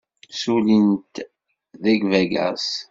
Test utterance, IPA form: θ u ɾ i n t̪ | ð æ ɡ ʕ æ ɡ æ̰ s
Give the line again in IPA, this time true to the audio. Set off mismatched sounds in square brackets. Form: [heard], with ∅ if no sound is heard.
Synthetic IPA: [s] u [l] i n t̪ | ð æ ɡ [v] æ ɡ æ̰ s